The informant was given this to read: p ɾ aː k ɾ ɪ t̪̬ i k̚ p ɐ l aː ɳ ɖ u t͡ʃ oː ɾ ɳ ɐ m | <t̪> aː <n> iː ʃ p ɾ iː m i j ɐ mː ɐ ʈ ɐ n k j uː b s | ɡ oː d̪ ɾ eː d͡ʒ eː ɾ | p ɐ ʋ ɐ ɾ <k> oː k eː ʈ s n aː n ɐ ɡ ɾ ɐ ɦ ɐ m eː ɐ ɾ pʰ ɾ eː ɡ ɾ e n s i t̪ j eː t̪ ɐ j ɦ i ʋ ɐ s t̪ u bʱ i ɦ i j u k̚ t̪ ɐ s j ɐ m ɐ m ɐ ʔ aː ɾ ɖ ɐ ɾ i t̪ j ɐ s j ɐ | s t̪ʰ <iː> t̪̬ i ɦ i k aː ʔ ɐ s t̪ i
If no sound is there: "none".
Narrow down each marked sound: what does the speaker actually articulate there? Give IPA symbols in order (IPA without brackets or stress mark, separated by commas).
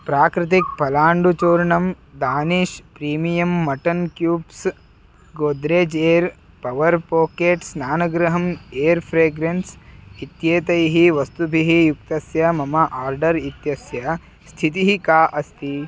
d̪, n, p, i